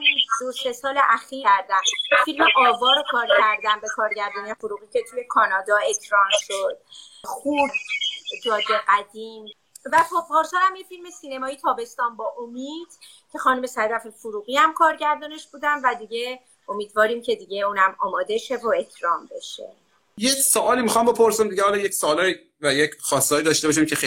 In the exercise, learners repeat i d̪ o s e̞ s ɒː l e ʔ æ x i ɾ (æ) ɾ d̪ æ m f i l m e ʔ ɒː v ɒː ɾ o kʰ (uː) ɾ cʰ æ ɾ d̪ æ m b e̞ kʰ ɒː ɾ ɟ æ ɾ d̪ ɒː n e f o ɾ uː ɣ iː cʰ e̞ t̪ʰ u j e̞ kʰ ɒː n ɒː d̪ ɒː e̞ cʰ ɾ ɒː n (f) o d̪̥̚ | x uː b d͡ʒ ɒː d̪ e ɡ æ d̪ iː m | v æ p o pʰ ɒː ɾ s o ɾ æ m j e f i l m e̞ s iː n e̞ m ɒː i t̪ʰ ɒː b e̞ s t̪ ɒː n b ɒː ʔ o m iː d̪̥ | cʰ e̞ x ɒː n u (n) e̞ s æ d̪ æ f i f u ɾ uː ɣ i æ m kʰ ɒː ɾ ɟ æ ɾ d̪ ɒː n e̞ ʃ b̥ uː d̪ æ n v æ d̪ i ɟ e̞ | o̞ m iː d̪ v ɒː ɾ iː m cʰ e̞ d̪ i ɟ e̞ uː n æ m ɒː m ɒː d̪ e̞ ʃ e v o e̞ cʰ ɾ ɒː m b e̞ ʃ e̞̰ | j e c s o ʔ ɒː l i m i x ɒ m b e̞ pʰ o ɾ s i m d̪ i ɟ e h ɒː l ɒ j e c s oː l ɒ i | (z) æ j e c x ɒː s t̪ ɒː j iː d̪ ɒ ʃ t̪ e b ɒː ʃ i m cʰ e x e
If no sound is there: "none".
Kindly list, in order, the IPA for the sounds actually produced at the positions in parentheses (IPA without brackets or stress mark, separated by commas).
æ, ɒː, ʃ, m, v